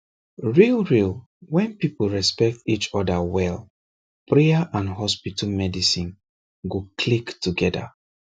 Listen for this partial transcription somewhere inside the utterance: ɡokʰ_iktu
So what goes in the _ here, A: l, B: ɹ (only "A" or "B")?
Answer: A